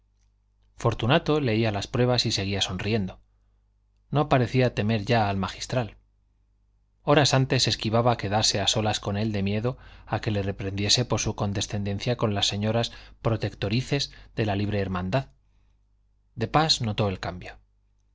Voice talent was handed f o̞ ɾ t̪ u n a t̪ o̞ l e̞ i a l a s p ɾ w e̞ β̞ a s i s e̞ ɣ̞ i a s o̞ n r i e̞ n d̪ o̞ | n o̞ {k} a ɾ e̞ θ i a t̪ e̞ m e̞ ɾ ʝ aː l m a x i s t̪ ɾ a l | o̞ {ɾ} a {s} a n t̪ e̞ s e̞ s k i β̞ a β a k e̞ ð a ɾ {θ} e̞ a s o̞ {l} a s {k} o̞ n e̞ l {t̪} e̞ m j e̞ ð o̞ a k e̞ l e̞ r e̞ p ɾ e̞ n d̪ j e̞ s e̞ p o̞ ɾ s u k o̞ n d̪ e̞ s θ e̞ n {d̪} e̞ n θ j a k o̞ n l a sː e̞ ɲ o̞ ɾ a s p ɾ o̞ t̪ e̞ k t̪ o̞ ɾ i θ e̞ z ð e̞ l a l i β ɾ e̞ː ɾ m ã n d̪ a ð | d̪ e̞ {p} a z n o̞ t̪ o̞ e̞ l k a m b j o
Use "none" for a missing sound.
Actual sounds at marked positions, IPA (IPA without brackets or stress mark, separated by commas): p, ɾ, s, s, l, k, d̪, d̪, p